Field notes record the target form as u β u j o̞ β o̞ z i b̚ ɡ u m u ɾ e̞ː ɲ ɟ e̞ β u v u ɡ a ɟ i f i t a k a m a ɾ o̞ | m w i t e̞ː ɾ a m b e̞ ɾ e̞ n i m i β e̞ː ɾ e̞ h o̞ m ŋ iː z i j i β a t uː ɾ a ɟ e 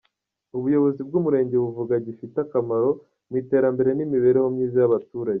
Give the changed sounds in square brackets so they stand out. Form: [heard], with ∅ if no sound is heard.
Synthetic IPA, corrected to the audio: u β u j o̞ β o̞ z i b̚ ɡ u m u ɾ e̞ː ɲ ɟ e̞ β u v u ɡ a ɟ i f i t a k a m a ɾ o̞ | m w i t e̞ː ɾ a m b e̞ ɾ e̞ n i m i β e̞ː ɾ e̞ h o̞ m [ɲ] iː z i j [a] β a t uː ɾ a ɟ e